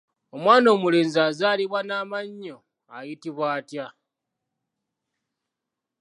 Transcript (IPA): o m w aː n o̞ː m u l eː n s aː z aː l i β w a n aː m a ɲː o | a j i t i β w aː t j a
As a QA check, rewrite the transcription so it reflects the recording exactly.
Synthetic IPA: o m w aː n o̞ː m u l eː n z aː z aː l i β w a n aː m a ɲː o | a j i t i β w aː t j a